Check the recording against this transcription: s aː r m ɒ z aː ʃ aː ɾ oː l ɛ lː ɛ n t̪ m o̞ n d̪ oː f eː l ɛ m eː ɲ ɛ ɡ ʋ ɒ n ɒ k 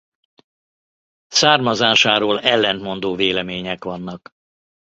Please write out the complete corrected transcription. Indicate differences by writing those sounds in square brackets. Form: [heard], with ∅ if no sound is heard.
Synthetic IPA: s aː r m ɒ z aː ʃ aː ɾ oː l ɛ lː ɛ n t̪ m o̞ n d̪ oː [v] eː l ɛ m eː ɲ ɛ [k] ʋ ɒ [nː] ɒ k

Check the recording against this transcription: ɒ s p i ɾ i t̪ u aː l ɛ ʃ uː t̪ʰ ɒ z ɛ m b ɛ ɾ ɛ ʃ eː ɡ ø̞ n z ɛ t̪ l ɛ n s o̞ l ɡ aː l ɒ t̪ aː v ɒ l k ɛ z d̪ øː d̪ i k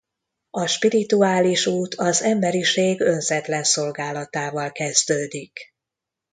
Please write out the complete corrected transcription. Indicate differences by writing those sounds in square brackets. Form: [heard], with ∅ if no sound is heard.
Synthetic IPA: ɒ [ʃ] p i ɾ i t̪ u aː l [i] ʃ uː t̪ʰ ɒ z ɛ m b ɛ ɾ [i] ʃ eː ɡ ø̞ n z ɛ t̪ l ɛ n s o̞ l ɡ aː l ɒ t̪ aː v ɒ l k ɛ z d̪ øː d̪ i k

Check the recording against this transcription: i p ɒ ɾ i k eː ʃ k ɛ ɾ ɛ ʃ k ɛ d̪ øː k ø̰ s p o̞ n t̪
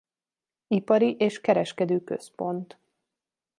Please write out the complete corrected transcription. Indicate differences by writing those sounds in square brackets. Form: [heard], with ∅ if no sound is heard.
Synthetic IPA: i p ɒ ɾ i [ʔ] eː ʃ k ɛ ɾ ɛ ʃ k ɛ d̪ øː k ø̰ s p o̞ n t̪

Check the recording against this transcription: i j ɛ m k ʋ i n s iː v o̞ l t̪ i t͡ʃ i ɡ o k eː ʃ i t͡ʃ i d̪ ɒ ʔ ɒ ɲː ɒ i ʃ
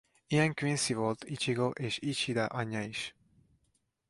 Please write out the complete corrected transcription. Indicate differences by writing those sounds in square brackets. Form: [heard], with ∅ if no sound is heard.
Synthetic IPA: i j ɛ [ŋ] k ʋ i n s [i] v o̞ l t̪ i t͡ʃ i ɡ o [ʔ] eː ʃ i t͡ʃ i d̪ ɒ ʔ ɒ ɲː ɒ i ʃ

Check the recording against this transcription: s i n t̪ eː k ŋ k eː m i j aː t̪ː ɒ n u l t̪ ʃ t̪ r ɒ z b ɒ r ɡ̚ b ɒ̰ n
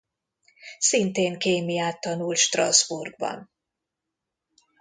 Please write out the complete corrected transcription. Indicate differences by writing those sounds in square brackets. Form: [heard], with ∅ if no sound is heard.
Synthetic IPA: s i n t̪ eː [∅] ŋ k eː m i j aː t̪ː ɒ n u l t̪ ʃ t̪ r ɒ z b [u] r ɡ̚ b ɒ̰ n

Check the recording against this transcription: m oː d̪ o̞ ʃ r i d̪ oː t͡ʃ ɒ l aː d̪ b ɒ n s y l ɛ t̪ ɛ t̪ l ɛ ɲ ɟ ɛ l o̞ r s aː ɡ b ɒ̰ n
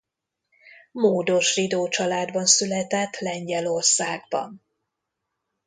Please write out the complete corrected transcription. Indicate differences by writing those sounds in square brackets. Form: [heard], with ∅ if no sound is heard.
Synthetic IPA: m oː d̪ o̞ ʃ r i d̪ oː t͡ʃ ɒ l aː d̪ b ɒ n s y l ɛ t̪ ɛ t̪ l ɛ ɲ ɟ ɛ l o̞ r s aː ɡ b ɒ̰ n

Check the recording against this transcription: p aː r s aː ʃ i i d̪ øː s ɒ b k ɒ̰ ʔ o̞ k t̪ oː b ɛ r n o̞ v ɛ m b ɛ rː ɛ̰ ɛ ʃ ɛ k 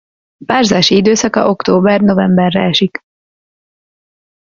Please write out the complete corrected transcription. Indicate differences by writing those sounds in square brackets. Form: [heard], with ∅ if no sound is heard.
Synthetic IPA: p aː r [z] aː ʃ i i d̪ øː s ɒ [∅] k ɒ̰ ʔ o̞ k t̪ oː b ɛ r n o̞ v ɛ m b ɛ rː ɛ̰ ɛ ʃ [i] k

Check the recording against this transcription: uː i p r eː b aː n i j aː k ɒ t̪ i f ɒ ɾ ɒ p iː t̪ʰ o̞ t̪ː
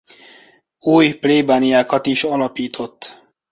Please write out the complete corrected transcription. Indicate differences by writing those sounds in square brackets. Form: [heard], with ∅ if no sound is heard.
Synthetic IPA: uː [j] p [l] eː b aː n i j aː k ɒ t̪ i [ʃ] ɒ [l] ɒ p iː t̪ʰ o̞ t̪ː

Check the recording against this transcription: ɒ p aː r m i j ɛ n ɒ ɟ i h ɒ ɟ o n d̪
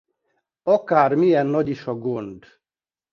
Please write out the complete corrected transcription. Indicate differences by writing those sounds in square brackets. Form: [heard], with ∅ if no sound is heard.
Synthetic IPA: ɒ [k] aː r m i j ɛ [nː] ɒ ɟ i [ʃ] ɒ [ɡ] o n d̪

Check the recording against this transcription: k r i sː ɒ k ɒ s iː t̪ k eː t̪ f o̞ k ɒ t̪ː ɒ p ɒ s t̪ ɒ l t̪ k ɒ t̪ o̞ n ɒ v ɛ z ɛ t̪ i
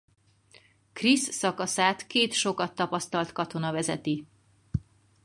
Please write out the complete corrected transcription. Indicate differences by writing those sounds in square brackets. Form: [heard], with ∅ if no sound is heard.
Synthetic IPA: k r i sː ɒ k ɒ s [aː] t̪ k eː t̪ [ʃ] o̞ k ɒ t̪ː ɒ p ɒ s t̪ ɒ l t̪ k ɒ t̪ o̞ n ɒ v ɛ z ɛ t̪ i

